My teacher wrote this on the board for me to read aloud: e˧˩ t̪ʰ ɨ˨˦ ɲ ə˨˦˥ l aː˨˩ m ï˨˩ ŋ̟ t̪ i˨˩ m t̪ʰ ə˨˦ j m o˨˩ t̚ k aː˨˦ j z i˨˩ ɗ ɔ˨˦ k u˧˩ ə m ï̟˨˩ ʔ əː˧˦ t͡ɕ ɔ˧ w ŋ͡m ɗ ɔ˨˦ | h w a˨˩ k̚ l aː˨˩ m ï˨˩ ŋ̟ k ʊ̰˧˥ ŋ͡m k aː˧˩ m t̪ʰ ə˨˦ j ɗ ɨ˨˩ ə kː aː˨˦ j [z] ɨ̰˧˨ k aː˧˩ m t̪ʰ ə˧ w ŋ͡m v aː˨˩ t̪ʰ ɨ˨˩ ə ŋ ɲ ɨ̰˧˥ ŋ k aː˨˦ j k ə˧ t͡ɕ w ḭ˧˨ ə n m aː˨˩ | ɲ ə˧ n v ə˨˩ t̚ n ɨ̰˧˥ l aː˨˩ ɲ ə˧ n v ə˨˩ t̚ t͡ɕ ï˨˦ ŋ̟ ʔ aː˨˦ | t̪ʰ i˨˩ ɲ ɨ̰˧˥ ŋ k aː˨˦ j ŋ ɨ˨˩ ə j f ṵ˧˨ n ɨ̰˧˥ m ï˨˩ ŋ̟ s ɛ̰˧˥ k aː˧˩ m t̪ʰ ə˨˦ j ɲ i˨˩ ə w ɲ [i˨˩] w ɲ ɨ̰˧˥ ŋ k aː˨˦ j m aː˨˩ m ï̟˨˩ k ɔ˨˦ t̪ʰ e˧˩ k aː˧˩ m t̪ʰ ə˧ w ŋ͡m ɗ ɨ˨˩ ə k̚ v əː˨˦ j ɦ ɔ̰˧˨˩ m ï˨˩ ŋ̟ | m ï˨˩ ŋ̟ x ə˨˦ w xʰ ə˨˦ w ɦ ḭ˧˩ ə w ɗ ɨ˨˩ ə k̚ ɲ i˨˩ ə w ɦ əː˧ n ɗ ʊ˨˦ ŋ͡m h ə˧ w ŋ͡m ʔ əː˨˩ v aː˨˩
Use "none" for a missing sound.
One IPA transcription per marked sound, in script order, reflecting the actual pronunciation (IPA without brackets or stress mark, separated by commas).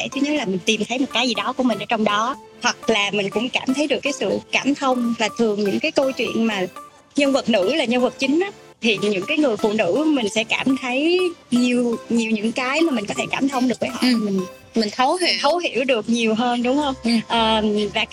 s, i˨˩